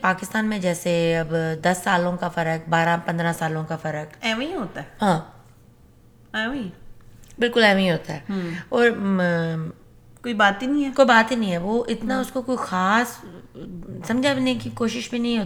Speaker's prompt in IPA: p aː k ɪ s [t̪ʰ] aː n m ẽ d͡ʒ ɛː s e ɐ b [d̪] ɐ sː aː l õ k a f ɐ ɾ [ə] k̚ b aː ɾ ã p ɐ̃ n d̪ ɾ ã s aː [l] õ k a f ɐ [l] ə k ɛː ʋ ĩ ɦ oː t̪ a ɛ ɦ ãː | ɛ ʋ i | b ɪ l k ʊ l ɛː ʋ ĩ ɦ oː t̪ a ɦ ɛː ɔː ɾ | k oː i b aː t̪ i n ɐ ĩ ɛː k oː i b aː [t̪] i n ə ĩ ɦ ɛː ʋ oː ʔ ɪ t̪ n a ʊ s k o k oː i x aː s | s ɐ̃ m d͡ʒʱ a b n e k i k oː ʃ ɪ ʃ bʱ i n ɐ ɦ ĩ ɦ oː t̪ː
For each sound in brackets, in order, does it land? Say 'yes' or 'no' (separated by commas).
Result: no, yes, yes, yes, no, yes